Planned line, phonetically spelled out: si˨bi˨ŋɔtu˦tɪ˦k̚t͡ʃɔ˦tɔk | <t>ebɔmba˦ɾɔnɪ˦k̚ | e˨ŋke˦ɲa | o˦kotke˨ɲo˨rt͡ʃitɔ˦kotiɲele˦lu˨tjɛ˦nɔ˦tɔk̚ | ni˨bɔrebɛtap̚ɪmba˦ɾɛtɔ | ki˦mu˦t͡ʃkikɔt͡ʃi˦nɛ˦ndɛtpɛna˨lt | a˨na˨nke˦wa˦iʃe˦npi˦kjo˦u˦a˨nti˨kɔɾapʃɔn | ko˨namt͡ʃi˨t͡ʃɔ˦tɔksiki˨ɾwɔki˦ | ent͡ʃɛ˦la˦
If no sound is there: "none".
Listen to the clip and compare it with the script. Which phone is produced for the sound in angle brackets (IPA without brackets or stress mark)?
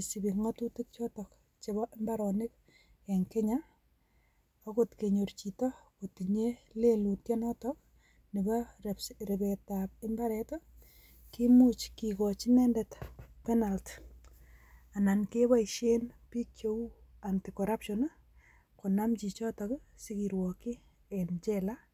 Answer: t͡ʃ